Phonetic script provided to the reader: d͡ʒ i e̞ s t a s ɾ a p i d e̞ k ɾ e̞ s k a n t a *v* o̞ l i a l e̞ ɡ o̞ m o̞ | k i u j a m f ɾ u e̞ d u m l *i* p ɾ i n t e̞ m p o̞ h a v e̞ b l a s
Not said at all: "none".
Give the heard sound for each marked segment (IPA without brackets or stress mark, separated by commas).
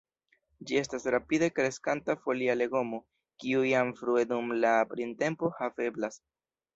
f, a